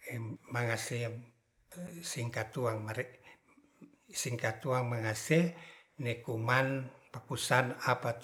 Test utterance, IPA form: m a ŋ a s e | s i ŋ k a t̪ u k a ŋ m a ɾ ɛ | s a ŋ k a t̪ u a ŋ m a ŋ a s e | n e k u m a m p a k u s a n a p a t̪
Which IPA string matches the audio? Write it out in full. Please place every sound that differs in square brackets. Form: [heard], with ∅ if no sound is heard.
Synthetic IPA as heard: m a ŋ a s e | s i ŋ k a t̪ u [∅] a ŋ m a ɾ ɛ | s [i] ŋ k a t̪ u a ŋ m a ŋ a s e | n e k u m a [n] p a k u s a n a p a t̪